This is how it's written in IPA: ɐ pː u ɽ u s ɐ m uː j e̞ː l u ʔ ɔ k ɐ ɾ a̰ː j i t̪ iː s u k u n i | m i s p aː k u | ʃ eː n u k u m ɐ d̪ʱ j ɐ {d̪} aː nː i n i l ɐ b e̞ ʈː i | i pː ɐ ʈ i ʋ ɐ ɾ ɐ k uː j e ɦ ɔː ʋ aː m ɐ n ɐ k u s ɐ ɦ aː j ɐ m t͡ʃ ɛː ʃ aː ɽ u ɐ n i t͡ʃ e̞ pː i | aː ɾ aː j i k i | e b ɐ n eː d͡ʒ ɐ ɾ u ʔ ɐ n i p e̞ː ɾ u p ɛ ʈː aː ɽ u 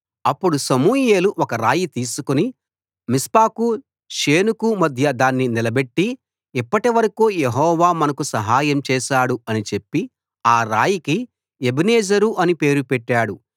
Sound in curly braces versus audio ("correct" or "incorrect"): correct